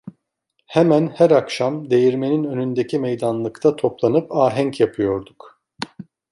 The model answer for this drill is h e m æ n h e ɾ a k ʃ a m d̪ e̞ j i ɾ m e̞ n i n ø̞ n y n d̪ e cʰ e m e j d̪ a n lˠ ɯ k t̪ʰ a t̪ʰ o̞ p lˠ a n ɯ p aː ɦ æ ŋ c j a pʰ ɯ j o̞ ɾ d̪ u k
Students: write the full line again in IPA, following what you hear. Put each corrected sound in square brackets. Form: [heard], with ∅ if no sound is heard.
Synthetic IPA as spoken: h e m æ n h [æ] ɾ a k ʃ a m d̪ e̞ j i ɾ m e̞ n i n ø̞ n y n d̪ e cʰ [i] m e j d̪ a n lˠ ɯ k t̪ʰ a t̪ʰ o̞ p lˠ a n ɯ p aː ɦ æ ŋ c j a pʰ ɯ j o̞ ɾ d̪ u k